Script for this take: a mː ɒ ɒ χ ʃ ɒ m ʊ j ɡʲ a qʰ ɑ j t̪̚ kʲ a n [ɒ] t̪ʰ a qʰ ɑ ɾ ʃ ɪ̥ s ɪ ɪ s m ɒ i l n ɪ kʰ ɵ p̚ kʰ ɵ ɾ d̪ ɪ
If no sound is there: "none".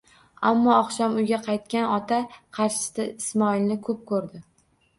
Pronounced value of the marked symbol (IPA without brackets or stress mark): ɒ